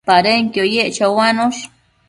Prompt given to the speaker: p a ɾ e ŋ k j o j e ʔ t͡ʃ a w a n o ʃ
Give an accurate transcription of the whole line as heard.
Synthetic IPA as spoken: p a ɾ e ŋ k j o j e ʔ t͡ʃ a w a n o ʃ